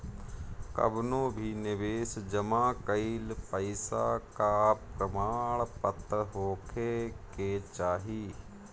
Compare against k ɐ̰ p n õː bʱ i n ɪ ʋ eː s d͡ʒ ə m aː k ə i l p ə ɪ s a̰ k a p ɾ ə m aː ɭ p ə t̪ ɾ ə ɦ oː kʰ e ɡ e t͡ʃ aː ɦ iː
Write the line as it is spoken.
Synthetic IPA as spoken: k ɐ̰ b n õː bʱ i n ɪ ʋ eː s d͡ʒ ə m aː k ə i l p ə ɪ s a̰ k a p ɾ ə m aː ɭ p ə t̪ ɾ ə ɦ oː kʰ e k e t͡ʃ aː ɦ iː